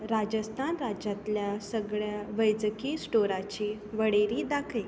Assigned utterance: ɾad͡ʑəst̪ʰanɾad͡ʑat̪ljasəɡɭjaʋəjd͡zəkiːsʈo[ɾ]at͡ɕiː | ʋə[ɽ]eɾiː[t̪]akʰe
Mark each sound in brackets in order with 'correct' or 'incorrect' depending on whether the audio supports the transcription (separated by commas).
correct, correct, incorrect